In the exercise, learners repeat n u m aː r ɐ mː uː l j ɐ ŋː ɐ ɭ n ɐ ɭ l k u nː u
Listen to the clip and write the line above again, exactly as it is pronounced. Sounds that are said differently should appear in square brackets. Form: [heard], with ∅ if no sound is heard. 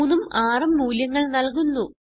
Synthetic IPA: n u m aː r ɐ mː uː l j ɐ ŋː ɐ ɭ n ɐ [∅] l k u nː u